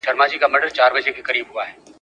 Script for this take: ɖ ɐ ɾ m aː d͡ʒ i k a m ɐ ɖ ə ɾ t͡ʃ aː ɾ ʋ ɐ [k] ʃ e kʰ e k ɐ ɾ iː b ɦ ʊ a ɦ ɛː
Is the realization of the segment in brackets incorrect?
yes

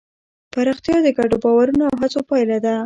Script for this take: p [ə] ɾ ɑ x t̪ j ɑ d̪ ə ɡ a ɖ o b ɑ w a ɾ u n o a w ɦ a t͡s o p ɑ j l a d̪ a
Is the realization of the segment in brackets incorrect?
yes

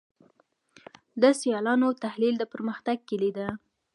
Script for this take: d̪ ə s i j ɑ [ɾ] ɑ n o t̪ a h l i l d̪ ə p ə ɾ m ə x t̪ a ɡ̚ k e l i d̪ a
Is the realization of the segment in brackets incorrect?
yes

